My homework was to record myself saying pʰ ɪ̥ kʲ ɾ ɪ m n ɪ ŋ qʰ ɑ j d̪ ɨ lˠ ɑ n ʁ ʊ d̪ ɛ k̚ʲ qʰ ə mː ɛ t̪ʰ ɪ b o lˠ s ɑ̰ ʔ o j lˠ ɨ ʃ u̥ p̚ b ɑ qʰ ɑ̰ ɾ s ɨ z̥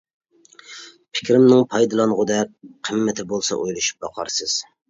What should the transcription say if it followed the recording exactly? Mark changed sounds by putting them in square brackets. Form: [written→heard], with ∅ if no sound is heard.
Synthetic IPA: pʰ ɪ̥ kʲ ɾ ɪ m n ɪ ŋ [qʰ→pʰ] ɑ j d̪ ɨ lˠ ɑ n ʁ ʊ d̪ ɛ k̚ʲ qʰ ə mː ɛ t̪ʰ ɪ b o lˠ s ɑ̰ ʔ o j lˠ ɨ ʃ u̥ p̚ b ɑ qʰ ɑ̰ ɾ s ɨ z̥